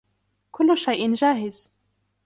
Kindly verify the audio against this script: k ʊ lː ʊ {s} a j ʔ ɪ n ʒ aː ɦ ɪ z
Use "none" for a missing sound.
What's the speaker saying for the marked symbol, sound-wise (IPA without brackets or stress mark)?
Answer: ʃ